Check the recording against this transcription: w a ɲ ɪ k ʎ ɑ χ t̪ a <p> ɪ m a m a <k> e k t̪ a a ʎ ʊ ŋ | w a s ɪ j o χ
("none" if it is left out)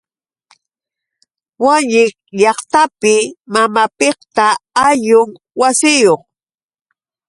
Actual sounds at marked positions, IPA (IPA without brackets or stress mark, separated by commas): p, p